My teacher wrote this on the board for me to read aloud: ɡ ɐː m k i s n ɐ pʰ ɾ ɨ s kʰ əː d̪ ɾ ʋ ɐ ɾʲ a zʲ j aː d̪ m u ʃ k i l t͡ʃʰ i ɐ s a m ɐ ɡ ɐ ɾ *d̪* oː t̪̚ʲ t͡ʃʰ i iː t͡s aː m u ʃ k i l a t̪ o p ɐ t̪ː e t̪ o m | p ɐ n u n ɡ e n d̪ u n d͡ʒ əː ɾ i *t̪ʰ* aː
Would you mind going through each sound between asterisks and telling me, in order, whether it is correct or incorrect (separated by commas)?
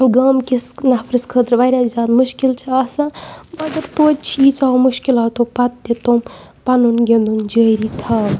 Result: incorrect, correct